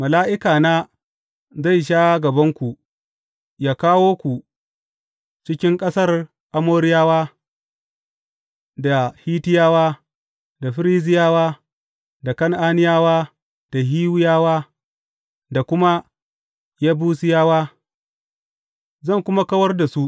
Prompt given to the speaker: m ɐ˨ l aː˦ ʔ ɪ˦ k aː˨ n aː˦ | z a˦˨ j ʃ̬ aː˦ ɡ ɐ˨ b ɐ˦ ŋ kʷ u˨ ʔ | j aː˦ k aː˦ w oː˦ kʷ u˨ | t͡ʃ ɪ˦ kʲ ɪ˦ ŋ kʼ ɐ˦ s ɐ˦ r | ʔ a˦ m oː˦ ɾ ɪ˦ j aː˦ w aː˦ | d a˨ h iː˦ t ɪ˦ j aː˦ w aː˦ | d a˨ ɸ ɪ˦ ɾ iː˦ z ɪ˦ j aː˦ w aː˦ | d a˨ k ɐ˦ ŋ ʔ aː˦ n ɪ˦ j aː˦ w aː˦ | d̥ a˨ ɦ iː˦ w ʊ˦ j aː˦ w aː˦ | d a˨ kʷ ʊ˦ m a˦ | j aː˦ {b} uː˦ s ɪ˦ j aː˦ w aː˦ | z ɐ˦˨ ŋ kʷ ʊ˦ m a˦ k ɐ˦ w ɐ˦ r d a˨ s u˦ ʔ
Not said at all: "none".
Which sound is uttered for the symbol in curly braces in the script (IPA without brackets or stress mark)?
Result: b